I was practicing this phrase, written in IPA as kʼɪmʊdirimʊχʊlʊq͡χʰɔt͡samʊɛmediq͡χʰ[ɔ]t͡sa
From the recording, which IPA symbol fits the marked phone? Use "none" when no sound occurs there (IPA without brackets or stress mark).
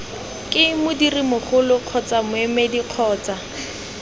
ɔː